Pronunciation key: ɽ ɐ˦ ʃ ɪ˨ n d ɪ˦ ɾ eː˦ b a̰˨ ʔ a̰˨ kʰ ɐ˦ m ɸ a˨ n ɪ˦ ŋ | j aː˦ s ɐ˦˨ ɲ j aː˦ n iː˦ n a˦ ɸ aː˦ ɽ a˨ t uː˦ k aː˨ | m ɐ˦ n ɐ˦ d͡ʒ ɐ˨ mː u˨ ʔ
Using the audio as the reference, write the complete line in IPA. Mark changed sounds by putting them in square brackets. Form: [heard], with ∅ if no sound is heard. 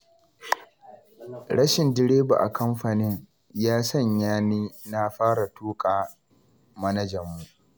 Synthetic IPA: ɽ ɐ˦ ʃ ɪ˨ n d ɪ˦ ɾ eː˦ b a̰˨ ʔ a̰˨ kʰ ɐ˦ m ɸ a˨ n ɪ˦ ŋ | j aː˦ s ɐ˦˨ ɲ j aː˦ n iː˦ n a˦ ɸ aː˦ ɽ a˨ t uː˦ [kʼ] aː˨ | m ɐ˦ n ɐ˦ d͡ʒ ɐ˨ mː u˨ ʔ